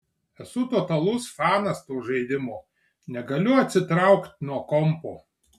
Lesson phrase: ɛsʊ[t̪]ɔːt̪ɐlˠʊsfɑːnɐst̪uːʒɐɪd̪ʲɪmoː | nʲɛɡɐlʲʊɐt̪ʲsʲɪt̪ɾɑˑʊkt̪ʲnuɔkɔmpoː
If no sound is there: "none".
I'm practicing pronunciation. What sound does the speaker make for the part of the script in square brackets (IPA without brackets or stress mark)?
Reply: t̪